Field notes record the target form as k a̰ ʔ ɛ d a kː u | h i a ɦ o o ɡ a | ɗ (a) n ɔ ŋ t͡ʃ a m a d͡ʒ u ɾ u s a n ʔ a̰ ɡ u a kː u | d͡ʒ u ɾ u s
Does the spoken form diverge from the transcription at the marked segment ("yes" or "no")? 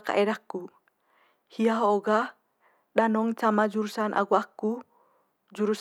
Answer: no